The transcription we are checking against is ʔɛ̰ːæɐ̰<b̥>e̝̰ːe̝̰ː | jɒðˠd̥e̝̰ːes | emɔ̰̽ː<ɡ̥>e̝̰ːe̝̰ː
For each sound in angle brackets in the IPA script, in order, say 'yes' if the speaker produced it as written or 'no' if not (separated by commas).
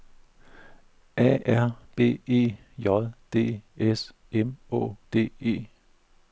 yes, no